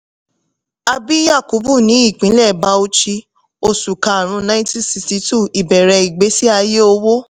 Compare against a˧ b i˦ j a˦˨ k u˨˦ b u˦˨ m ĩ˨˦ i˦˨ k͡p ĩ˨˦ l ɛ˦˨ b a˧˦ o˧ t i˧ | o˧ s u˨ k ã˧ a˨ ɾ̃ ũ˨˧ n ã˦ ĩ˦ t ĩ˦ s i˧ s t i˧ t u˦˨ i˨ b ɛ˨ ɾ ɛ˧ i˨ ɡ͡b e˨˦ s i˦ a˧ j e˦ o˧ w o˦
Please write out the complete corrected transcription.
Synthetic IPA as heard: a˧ b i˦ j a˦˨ k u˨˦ b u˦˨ n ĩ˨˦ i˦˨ k͡p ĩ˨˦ l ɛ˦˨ b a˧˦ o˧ t͡ʃ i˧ | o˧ s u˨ k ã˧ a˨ ɾ̃ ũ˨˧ n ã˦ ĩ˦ t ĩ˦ s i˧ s t i˧ t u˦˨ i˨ b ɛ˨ ɾ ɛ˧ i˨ ɡ͡b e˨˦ s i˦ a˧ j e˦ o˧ w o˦